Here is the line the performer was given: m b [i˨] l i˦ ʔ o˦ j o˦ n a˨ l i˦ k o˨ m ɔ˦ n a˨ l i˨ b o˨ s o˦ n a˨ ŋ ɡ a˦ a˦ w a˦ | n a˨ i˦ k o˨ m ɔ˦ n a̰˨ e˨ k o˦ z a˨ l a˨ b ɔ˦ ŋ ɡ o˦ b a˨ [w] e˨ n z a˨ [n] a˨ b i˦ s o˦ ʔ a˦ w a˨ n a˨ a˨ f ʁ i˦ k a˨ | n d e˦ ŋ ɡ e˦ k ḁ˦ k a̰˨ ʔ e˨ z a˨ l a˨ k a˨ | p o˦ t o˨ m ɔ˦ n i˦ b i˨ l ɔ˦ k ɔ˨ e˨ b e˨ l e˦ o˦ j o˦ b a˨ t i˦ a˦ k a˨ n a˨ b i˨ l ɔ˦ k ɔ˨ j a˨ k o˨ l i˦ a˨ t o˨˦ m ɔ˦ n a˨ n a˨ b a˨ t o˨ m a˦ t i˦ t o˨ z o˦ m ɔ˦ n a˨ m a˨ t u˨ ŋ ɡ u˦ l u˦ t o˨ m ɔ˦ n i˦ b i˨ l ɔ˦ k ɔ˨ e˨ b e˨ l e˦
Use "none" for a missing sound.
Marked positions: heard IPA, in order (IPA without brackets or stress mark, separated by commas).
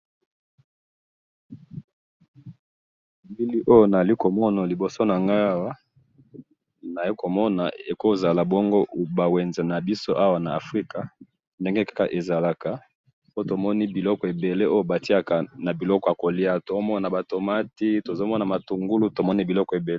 i˦, w, n